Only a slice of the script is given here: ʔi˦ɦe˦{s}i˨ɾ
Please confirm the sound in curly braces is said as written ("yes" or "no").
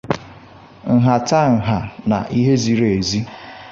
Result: no